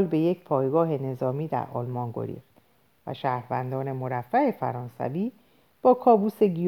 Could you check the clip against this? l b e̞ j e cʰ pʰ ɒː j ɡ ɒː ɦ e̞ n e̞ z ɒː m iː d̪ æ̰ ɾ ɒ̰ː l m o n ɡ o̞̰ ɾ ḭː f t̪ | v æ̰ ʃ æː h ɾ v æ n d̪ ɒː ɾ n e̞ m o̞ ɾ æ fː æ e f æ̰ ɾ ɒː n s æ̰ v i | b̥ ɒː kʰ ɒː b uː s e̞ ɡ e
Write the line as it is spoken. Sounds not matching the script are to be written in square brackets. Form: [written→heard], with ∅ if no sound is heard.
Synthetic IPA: l b e̞ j e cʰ pʰ ɒː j ɡ ɒː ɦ e̞ n e̞ z ɒː m iː d̪ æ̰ ɾ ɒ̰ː l m [o→ɒ] n ɡ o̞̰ ɾ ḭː f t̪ | v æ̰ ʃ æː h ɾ v æ n d̪ ɒː [ɾ→∅] n e̞ m o̞ ɾ æ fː æ e f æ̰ ɾ ɒː n s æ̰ v [i→iː] | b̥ ɒː kʰ ɒː b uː s e̞ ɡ [e→i]